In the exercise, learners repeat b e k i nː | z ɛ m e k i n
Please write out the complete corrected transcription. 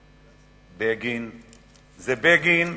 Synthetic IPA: b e ɡ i n | z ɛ b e ɡ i n